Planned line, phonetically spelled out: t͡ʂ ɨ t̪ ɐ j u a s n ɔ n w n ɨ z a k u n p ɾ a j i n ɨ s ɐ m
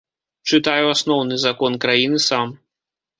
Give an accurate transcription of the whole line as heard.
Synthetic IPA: t͡ʂ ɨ t̪ a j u a s n ɔ w n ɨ z a k ɔ n k ɾ a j i n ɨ s a m